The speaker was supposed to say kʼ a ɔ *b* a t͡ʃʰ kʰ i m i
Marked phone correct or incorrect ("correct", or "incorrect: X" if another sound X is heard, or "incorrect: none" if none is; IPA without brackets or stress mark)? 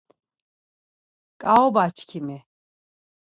correct